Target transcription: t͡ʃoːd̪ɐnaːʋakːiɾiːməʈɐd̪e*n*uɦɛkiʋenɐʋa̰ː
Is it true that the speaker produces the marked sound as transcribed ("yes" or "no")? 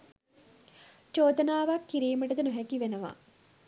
yes